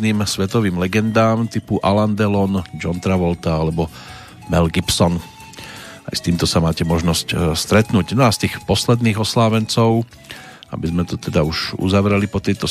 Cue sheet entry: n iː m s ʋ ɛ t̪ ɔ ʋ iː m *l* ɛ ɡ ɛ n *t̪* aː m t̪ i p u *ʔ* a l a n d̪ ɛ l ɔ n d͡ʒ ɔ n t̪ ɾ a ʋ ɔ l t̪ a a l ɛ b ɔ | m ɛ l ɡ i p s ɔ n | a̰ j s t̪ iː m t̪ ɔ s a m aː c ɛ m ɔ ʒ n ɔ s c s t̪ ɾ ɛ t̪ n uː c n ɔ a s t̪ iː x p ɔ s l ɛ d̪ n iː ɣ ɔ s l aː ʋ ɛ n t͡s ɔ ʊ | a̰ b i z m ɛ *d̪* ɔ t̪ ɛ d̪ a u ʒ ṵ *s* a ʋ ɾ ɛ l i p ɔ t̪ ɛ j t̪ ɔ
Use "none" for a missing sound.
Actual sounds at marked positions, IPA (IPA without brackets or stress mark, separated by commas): l, d̪, ʔ, t̪, z